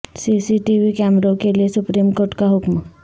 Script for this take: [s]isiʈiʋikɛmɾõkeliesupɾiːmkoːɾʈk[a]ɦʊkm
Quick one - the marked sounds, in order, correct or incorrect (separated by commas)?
correct, correct